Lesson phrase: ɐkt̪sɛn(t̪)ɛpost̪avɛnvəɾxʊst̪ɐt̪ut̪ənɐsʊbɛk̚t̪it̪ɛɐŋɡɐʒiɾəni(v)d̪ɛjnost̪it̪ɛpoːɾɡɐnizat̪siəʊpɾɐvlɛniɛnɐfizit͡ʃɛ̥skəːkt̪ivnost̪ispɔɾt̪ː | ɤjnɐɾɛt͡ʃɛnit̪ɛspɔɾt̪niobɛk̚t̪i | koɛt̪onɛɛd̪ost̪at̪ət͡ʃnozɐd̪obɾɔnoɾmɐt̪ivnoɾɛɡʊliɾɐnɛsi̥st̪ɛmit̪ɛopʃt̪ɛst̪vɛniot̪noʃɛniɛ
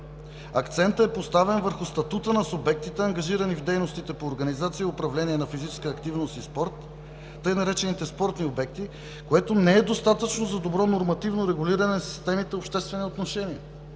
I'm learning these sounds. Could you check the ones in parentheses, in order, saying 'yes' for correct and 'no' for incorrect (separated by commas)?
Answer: yes, yes